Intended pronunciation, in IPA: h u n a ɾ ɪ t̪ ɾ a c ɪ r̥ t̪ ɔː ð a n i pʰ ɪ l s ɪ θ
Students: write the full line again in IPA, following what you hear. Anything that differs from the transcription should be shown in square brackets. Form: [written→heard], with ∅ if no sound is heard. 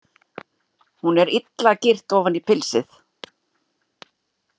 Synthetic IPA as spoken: h u n [a→ɛ] ɾ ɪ t̪ [ɾ→l] a c ɪ r̥ t̪ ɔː [ð→v] a n i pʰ ɪ l s ɪ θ